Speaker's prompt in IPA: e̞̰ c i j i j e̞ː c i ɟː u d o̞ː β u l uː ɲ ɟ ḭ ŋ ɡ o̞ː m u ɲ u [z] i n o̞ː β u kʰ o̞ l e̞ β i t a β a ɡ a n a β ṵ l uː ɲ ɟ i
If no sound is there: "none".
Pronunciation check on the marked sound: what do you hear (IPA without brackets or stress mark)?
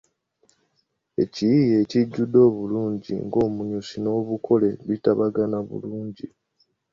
s